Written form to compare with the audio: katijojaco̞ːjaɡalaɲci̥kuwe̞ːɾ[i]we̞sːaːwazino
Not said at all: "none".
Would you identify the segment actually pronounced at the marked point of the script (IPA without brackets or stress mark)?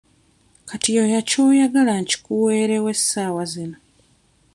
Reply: e